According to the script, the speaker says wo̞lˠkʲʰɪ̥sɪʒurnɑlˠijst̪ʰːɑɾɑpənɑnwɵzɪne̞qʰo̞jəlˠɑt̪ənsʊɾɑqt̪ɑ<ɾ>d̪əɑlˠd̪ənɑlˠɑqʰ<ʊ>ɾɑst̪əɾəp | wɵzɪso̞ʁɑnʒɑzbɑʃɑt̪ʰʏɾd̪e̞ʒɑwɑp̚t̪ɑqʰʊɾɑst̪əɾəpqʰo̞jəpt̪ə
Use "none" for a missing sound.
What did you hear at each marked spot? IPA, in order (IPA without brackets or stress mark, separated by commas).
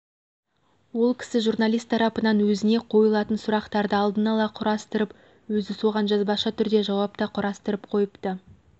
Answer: ɾ, ʊ